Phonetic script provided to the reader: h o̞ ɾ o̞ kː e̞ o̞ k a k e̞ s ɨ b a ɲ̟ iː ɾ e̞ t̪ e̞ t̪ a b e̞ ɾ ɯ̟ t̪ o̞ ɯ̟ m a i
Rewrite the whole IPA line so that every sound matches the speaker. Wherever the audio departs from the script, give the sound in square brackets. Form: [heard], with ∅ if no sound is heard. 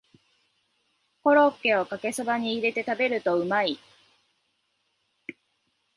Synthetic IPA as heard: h o̞ ɾ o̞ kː e̞ o̞ k a k e̞ s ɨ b a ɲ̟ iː ɾ e̞ t̪ e̞ t̪ a b e̞ ɾ ɯ̟ t̪ o̞ ɯ̟ m a i